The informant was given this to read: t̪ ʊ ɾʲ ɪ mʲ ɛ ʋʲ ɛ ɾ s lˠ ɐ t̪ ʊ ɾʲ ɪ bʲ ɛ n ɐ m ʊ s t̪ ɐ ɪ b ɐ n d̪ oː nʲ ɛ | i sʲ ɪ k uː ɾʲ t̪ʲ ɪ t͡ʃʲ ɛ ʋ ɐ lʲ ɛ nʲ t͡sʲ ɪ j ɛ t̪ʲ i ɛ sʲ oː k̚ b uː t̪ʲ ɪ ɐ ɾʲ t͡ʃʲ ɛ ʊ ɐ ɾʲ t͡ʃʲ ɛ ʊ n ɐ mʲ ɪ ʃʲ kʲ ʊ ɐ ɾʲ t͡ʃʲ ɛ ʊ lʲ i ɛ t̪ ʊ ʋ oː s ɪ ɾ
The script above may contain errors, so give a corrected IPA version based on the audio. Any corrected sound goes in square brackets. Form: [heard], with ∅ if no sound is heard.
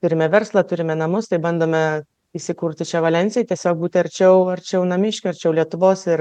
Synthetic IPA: t̪ ʊ ɾʲ ɪ mʲ ɛ ʋʲ ɛ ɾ s lˠ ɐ t̪ ʊ ɾʲ ɪ [mʲ] ɛ n ɐ m ʊ s t̪ ɐ ɪ b ɐ n d̪ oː [mʲ] ɛ | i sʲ ɪ k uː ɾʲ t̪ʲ ɪ t͡ʃʲ ɛ ʋ ɐ lʲ ɛ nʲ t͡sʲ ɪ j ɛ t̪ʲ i ɛ sʲ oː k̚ b uː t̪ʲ ɪ ɐ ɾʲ t͡ʃʲ ɛ ʊ ɐ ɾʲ t͡ʃʲ ɛ ʊ n ɐ mʲ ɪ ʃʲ kʲ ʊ ɐ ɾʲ t͡ʃʲ ɛ ʊ lʲ i ɛ t̪ ʊ ʋ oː s ɪ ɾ

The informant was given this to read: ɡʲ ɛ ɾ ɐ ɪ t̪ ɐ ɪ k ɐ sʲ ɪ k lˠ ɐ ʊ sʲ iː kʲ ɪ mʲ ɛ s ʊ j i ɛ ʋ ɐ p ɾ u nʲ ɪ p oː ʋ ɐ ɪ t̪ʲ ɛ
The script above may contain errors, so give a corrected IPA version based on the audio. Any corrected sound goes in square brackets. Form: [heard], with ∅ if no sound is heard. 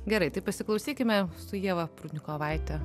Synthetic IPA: ɡʲ ɛ ɾ ɐ ɪ t̪ ɐ ɪ [p] ɐ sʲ ɪ k lˠ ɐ ʊ sʲ iː kʲ ɪ mʲ ɛ s ʊ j i ɛ ʋ ɐ p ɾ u nʲ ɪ [k] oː ʋ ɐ ɪ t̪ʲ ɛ

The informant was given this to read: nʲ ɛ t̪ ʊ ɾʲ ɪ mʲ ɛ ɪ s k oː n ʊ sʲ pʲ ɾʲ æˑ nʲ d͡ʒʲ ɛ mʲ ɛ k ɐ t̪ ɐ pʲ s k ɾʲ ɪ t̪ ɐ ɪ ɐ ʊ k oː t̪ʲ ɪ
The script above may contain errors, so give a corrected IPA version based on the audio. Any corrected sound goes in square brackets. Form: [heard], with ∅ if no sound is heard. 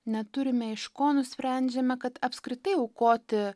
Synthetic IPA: nʲ ɛ t̪ ʊ ɾʲ ɪ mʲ ɛ ɪ [ʃ] k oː n ʊ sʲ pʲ ɾʲ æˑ nʲ d͡ʒʲ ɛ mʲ ɛ k ɐ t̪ ɐ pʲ s k ɾʲ ɪ t̪ ɐ ɪ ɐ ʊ k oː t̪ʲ ɪ

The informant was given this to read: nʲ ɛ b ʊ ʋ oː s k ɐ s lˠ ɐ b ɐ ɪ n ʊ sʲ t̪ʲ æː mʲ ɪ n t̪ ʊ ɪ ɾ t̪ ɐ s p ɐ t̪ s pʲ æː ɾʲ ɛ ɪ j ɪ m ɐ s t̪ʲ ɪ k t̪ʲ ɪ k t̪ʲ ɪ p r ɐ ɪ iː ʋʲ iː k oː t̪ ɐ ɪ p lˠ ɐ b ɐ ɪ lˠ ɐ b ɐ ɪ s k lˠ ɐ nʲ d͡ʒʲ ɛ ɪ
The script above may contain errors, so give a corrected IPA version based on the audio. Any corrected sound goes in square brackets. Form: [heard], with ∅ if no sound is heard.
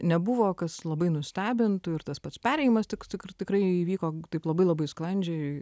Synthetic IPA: nʲ ɛ b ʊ ʋ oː [∅] k ɐ s lˠ ɐ b ɐ ɪ n ʊ sʲ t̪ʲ æː [bʲ] ɪ n t̪ ʊ ɪ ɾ t̪ ɐ s p ɐ t̪ s pʲ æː ɾʲ ɛ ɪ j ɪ m ɐ s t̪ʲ ɪ k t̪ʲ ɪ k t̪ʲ ɪ [k] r ɐ ɪ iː ʋʲ iː k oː t̪ ɐ ɪ p lˠ ɐ b ɐ ɪ lˠ ɐ b ɐ ɪ s k lˠ ɐ nʲ d͡ʒʲ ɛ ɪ

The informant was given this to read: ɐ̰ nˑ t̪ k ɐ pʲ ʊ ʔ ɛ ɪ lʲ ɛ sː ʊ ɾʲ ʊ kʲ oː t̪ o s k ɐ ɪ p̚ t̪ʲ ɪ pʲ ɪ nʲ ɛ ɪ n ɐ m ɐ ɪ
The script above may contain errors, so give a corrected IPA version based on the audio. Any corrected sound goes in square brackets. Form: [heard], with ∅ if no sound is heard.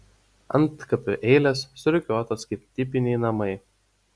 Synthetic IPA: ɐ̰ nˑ t̪ k ɐ pʲ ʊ ʔ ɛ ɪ lʲ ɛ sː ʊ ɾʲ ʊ kʲ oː t̪ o s k ɐ ɪ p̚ t̪ʲ ɪ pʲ ɪ nʲ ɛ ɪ n ɐ m ɐ ɪ

